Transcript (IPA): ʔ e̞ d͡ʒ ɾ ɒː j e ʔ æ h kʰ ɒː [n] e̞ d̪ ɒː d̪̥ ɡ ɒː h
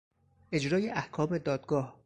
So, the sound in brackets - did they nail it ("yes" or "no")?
no